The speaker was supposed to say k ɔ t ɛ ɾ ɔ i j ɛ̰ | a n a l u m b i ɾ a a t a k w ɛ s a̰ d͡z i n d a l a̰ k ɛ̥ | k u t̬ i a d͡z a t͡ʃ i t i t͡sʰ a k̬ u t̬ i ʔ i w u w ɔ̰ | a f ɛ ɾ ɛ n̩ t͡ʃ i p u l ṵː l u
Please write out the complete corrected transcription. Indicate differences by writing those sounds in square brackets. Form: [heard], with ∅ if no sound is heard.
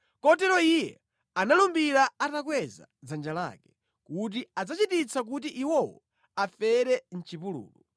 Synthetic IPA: k ɔ t ɛ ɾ ɔ i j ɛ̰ | a n a l u m b i ɾ a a t a k w ɛ [z] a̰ d͡z [a] n [d͡ʒ] a l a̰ k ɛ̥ | k u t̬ i a d͡z a t͡ʃ i t i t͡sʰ a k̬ u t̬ i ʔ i w [ɔ] w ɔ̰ | a f ɛ ɾ ɛ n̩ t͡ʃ i p u l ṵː l u